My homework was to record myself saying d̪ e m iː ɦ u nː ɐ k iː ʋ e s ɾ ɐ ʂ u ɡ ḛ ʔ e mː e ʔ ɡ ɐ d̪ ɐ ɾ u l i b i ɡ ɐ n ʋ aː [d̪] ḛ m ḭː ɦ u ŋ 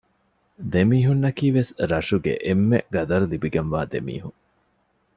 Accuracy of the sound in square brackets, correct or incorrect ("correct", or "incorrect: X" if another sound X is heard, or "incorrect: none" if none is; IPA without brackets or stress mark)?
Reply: correct